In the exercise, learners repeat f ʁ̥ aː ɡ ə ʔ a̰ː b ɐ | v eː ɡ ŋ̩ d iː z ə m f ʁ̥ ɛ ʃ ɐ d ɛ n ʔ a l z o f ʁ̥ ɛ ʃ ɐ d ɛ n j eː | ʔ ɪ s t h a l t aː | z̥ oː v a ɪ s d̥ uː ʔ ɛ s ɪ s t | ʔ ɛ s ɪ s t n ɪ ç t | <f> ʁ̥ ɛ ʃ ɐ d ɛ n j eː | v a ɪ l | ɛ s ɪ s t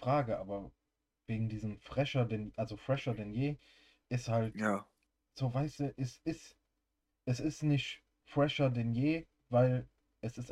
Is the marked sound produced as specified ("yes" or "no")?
yes